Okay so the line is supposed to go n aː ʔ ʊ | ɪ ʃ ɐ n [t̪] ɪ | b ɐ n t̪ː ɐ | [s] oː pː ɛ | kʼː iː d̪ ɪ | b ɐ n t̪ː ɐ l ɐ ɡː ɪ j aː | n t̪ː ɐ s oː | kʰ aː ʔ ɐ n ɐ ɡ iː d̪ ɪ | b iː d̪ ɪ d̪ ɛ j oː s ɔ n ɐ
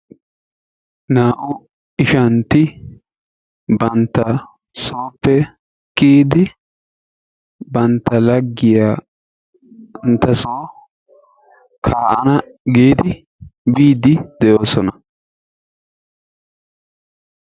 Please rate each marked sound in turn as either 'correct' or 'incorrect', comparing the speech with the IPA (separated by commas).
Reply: correct, correct